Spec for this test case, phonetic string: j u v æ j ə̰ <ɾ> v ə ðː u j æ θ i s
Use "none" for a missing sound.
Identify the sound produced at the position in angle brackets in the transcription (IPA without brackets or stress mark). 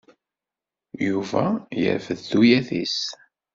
ɾ